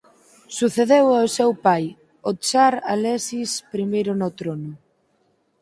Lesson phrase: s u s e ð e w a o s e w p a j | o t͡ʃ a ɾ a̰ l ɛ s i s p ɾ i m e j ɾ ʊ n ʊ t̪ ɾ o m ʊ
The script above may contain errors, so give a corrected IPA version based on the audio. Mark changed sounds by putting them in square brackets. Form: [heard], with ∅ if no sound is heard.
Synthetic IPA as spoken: s u [θ] e ð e w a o s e w p a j | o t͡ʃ a ɾ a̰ l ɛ s i s p ɾ i m e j ɾ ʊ n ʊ t̪ ɾ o [n] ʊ